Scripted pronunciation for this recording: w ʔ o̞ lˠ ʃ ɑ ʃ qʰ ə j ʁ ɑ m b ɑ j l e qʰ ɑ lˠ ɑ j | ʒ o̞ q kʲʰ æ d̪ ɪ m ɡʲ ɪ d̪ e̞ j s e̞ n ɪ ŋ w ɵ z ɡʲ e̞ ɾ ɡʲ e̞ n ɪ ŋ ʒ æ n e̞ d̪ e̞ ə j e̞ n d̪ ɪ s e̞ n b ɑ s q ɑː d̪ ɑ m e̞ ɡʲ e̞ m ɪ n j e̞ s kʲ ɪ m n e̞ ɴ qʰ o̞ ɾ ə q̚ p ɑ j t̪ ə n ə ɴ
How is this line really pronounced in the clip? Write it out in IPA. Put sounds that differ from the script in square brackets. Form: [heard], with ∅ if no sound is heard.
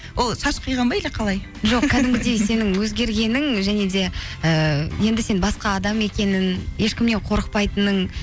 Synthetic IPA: w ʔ o̞ lˠ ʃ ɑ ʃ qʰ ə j ʁ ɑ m b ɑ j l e qʰ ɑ lˠ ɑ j | ʒ o̞ q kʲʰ æ d̪ ɪ m ɡʲ ɪ d̪ e̞ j s e̞ n ɪ ŋ w ɵ z ɡʲ e̞ ɾ ɡʲ e̞ n ɪ ŋ ʒ æ n e̞ d̪ e̞ ə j e̞ n d̪ ɪ s e̞ n b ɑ s q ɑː d̪ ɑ m e̞ [kʲ] e̞ [n] ɪ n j e̞ [ʃ] kʲ ɪ m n e̞ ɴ qʰ o̞ ɾ ə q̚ p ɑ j t̪ ə n ə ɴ